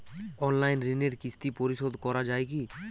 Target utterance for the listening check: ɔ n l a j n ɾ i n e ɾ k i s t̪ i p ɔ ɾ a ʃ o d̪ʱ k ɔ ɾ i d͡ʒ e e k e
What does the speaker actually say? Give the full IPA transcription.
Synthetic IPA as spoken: ɔ n l a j n ɾ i n e ɾ k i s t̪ i p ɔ ɾ i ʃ o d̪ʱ k ɔ ɾ a d͡ʒ a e k i